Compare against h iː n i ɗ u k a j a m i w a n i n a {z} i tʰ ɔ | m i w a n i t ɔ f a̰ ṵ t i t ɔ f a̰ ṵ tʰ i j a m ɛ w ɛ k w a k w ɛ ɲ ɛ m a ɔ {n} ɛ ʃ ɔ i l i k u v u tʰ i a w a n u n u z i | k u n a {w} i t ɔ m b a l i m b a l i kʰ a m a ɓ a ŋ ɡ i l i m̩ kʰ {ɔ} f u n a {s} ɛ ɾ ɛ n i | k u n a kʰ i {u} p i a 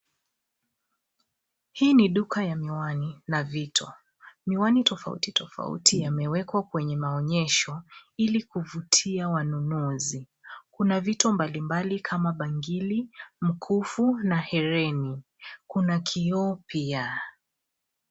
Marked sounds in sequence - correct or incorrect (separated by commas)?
incorrect, incorrect, incorrect, incorrect, incorrect, incorrect